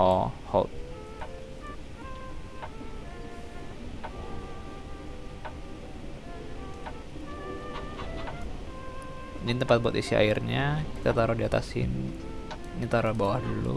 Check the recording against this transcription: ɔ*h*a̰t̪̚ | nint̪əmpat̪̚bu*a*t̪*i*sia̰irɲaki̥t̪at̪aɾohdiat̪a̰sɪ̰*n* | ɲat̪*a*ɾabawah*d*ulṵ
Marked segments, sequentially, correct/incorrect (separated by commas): correct, correct, correct, correct, correct, correct